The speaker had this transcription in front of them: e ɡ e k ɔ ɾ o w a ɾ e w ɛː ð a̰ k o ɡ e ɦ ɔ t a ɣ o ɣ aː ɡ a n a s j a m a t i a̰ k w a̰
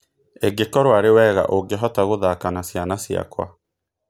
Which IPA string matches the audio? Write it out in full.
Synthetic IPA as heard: e ɡ e k ɔ ɾ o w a ɾ e w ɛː ɣ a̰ ʔ o ɡ e ɦ ɔ t a ɣ o ð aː k a n a s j a n a s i a̰ k w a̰